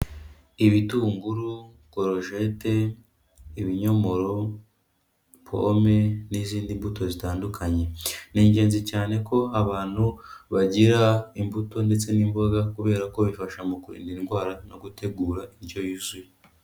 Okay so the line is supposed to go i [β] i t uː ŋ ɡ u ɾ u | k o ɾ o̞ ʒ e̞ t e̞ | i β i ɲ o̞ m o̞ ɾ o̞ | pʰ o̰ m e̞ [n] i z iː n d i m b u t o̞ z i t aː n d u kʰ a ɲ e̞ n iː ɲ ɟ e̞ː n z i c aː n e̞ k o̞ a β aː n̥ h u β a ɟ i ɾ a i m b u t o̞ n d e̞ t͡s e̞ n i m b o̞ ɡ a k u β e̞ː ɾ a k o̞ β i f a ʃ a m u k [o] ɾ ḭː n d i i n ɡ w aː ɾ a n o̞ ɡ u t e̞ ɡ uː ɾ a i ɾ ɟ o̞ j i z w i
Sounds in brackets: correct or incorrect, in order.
correct, correct, incorrect: u

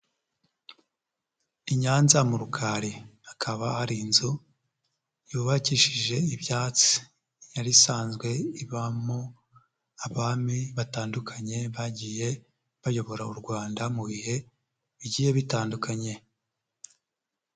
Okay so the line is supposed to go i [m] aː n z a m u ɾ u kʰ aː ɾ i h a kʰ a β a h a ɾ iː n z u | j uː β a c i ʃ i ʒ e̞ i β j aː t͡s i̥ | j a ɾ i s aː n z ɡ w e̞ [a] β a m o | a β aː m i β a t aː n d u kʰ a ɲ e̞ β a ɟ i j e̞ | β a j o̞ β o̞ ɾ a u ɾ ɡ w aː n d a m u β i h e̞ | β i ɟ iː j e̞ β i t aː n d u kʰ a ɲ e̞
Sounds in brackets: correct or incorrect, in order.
incorrect: ɲ, incorrect: i

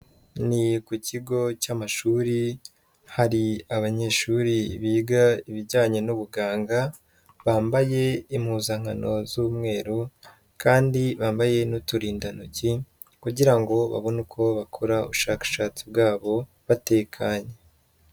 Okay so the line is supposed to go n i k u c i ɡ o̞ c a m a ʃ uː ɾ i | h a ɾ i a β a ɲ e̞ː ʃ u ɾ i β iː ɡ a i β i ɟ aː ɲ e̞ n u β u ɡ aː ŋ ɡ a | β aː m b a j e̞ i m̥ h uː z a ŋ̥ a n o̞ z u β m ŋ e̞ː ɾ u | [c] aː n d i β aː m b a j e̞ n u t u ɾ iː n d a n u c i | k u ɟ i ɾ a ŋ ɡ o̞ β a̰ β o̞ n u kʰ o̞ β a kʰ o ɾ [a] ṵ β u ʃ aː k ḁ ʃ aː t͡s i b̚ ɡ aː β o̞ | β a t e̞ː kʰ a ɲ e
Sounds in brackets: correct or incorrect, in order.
incorrect: k, correct

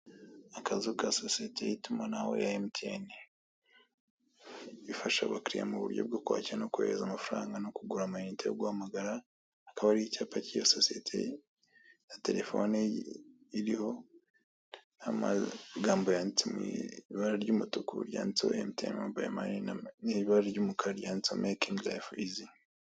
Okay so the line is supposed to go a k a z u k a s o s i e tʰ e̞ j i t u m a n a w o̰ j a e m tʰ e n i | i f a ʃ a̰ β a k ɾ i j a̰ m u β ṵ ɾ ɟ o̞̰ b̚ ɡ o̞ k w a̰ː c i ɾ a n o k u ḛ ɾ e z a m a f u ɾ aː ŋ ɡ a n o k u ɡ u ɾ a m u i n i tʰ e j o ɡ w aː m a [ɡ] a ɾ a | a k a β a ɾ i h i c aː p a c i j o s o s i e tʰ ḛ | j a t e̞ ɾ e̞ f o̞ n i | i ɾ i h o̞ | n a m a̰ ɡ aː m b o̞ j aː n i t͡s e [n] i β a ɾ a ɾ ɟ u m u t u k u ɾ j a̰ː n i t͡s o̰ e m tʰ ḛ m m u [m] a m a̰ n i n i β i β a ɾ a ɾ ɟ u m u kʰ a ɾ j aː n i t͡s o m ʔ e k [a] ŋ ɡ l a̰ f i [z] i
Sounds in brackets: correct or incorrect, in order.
correct, incorrect: m, incorrect: b, incorrect: i, correct

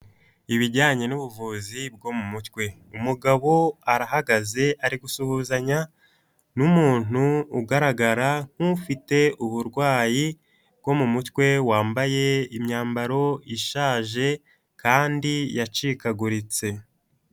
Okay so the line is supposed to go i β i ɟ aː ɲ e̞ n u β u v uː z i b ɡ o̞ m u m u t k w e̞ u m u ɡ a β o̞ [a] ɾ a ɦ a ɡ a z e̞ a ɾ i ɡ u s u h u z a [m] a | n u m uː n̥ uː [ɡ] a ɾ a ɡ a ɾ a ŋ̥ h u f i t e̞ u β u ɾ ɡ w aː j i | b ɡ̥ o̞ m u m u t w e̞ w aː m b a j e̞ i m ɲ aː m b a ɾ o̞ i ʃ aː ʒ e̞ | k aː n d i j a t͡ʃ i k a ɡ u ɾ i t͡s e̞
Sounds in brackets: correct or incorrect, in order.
correct, incorrect: ɲ, correct

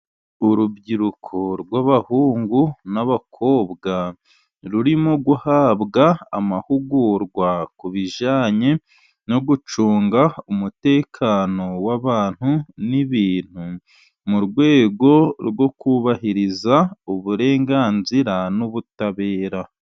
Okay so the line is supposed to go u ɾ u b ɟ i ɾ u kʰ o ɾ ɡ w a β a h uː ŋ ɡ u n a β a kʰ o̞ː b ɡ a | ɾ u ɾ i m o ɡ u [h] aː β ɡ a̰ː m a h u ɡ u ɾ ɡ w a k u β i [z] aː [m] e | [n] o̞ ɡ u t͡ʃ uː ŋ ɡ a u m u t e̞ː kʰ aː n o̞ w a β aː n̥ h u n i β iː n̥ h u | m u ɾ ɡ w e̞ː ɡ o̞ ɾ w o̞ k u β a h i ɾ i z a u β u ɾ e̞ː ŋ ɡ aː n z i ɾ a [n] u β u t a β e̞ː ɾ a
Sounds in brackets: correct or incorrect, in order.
correct, incorrect: ʒ, incorrect: ɲ, correct, correct

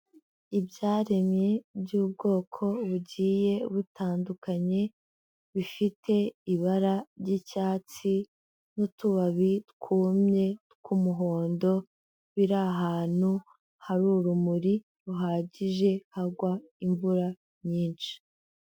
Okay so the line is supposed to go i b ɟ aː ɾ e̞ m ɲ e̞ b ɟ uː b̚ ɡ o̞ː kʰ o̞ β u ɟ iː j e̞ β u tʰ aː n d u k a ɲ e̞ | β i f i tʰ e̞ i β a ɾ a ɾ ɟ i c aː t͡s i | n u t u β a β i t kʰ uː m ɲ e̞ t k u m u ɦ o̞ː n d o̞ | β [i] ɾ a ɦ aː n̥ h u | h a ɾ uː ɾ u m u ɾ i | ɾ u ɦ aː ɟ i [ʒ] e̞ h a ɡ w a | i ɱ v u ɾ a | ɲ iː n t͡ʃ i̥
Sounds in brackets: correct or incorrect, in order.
correct, correct

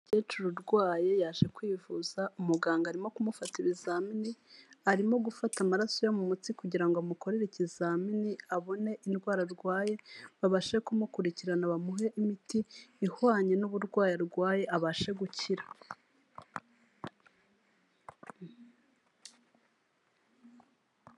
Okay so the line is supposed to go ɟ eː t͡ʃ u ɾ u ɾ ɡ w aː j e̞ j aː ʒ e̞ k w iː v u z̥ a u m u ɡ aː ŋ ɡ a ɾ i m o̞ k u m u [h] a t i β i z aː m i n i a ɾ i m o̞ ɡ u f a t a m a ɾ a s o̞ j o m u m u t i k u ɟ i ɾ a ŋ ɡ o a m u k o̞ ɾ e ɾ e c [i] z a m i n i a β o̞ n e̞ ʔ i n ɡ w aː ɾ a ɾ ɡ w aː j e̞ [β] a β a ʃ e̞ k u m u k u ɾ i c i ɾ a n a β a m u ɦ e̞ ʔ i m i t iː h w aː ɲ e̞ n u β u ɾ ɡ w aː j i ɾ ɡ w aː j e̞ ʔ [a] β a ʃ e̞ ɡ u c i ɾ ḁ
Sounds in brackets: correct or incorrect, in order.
incorrect: f, correct, correct, correct

